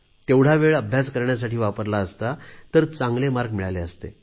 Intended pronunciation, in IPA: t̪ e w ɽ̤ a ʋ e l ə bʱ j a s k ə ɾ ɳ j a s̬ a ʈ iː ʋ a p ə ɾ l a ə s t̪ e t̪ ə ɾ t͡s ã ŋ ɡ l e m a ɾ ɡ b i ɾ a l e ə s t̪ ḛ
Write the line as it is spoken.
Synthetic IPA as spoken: t̪ e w ɽ̤ a ʋ e ɭ ə bʱ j a s k ə ɾ ɳ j a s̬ a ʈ iː ʋ a p ə ɾ l a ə s t̪ a t̪ ə ɾ t͡s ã ŋ ɡ l e m a ɾ ɡ m i ɭ a l e ə s t̪ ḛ